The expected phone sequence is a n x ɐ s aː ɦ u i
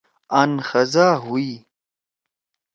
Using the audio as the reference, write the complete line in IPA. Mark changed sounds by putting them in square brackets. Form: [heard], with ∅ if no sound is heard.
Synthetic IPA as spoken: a n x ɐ [z] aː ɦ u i